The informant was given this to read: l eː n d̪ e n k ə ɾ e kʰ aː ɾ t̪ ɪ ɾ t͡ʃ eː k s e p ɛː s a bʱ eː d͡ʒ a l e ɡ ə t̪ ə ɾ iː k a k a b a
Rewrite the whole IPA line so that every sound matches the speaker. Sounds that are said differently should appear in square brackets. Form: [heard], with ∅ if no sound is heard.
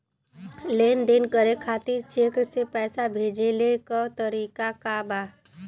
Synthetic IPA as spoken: l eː n d̪ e n k ə ɾ e kʰ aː [∅] t̪ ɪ ɾ t͡ʃ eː k s e p ɛː s a bʱ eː d͡ʒ [e] l e [k] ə t̪ ə ɾ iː k a k a b a

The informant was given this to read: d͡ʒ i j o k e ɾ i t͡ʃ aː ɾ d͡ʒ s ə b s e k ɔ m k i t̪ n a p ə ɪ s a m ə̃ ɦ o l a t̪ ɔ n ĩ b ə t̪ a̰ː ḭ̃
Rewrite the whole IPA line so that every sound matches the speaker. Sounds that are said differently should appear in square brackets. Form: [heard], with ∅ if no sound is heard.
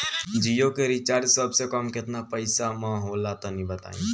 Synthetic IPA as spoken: d͡ʒ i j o k e ɾ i t͡ʃ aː ɾ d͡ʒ s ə b s e k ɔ m k [ɪ] t̪ n a p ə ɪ s a m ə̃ ɦ o l a t̪ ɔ n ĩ b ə t̪ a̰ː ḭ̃

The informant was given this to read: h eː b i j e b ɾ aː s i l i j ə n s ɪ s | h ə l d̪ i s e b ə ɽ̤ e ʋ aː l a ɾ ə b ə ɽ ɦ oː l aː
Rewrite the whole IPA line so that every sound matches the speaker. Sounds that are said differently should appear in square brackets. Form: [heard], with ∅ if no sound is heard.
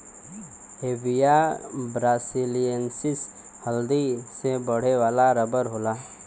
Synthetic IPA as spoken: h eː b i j [a] b ɾ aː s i l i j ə n s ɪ s | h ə l d̪ i s e b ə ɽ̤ e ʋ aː l a ɾ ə b ə [ɾ] ɦ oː l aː

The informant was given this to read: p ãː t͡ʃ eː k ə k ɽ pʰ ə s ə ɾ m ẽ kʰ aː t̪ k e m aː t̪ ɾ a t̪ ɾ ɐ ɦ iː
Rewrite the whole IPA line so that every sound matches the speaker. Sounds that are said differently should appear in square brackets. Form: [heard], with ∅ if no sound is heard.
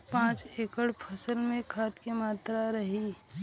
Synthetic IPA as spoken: p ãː t͡ʃ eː k ə [∅] ɽ pʰ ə s ə [l] m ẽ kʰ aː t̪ k e m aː t̪ ɾ a [∅] ɾ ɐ ɦ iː

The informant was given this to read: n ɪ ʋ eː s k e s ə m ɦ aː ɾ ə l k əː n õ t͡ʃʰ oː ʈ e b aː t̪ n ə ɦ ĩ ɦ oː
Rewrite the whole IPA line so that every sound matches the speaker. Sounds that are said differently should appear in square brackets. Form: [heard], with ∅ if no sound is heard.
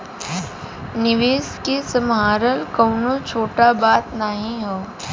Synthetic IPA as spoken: n ɪ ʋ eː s k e s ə m ɦ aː ɾ ə l k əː n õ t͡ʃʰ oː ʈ [a] b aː t̪ n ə ɦ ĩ ɦ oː

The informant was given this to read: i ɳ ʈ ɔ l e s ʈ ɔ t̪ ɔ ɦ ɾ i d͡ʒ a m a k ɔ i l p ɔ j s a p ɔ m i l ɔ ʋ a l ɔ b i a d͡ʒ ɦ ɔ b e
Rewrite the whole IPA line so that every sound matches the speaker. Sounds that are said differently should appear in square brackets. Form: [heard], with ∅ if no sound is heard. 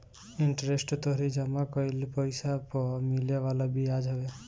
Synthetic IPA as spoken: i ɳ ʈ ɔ [ɾ] e s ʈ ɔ t̪ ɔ ɦ ɾ i d͡ʒ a m a k ɔ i l p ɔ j s a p ɔ m i l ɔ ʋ a l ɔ b i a d͡ʒ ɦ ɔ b e

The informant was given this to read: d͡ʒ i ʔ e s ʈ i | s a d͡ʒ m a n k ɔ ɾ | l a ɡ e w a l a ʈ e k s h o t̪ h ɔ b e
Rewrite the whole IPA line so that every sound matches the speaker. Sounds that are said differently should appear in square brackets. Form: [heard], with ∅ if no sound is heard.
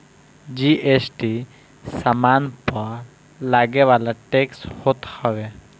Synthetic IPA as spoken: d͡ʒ i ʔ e s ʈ i | s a [∅] m a n [p] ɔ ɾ | l a ɡ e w a l a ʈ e k s h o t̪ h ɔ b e

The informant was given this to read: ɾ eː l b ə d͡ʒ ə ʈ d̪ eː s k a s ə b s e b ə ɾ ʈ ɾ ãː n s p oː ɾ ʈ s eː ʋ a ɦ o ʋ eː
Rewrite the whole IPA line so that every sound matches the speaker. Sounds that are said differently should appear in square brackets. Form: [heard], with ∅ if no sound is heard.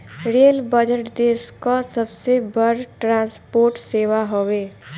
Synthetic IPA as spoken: ɾ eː l b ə d͡ʒ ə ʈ d̪ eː s k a s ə b s e b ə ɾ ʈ ɾ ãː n s p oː ɾ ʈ s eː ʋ a ɦ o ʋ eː

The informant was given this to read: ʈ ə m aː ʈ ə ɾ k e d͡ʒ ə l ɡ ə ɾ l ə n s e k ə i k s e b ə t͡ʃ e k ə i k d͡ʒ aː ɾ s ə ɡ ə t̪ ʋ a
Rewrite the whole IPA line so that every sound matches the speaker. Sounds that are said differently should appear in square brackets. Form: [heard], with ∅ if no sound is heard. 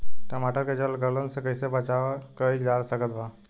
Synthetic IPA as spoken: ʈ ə m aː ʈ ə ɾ k e d͡ʒ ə l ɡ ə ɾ l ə n s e k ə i [∅] s e b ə t͡ʃ [a] k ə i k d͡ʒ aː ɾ s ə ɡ ə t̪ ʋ a

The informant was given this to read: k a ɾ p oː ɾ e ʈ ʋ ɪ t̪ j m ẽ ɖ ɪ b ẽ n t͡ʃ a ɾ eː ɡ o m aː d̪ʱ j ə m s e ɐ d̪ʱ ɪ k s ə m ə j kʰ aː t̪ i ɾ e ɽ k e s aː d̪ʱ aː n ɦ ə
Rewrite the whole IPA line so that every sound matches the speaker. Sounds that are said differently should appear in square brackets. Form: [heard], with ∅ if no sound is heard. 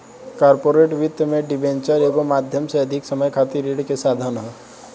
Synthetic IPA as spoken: k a ɾ p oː ɾ e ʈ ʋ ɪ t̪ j m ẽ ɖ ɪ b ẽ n t͡ʃ [ə] ɾ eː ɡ o m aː d̪ʱ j ə m s e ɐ d̪ʱ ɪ k s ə m ə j kʰ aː t̪ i ɾ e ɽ k e s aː d̪ʱ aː n ɦ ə

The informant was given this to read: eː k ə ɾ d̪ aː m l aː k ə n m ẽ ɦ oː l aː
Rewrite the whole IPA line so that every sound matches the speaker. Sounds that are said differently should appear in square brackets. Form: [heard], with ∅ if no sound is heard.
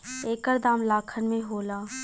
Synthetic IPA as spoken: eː k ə ɾ d̪ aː m l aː [kʰ] ə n m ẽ ɦ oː l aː

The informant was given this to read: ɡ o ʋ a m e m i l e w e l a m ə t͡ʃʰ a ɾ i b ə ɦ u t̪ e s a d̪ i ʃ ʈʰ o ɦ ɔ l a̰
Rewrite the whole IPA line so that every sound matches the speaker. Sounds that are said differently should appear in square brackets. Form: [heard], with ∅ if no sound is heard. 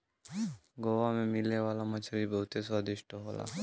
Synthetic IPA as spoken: ɡ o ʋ a m e m i l e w [a] l a m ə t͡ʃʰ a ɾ i b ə ɦ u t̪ e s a d̪ i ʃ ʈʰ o ɦ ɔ l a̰

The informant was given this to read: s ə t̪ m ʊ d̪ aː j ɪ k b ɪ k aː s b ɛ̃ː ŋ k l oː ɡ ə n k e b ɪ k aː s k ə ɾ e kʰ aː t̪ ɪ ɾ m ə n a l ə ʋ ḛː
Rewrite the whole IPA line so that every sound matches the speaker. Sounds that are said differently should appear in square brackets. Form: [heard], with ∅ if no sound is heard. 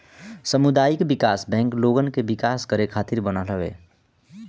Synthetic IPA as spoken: s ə [∅] m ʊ d̪ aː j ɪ k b ɪ k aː s b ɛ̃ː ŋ k l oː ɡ ə n k e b ɪ k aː s k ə ɾ e kʰ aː t̪ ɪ ɾ [b] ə n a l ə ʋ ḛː

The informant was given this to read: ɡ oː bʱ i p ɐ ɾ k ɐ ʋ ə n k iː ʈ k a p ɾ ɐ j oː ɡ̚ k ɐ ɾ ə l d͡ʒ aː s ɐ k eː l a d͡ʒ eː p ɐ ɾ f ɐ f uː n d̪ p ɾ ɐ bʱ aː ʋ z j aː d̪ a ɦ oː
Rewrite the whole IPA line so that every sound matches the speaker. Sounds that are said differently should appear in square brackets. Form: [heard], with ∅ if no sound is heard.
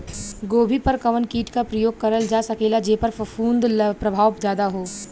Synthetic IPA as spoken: ɡ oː bʱ i p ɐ ɾ k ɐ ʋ ə n k iː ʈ k a p ɾ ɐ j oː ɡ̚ k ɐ ɾ ə l d͡ʒ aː s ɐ k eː l a d͡ʒ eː p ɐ ɾ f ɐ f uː n d̪ p ɾ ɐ bʱ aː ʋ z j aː d̪ a ɦ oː

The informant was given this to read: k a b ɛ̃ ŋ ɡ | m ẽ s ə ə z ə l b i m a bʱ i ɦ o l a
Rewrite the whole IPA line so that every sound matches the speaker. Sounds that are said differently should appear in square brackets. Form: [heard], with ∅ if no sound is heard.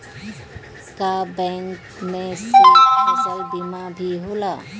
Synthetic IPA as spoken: k a b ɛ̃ ŋ [k] | m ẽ s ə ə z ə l b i m a bʱ i ɦ o l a

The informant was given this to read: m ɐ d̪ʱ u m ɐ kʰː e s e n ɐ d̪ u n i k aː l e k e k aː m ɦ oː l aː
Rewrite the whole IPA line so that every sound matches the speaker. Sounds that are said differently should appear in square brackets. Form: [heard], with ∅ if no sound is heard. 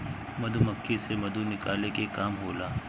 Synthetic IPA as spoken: m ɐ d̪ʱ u m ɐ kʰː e s e [m] ɐ d̪ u n [ɪ] k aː l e k e k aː m ɦ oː l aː

